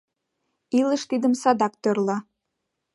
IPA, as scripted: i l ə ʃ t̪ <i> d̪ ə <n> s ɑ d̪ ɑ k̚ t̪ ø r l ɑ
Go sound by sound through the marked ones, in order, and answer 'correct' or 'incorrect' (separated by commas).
correct, incorrect